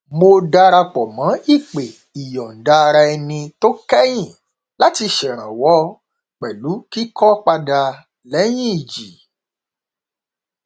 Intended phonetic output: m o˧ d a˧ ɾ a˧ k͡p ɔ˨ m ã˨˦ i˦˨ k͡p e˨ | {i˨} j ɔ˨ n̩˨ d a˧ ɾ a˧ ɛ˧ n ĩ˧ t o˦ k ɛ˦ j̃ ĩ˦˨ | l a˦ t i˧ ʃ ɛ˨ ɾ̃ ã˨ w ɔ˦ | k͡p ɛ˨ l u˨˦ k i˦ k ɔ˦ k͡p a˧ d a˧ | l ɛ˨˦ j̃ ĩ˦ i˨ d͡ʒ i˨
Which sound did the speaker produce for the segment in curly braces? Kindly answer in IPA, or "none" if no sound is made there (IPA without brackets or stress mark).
i˨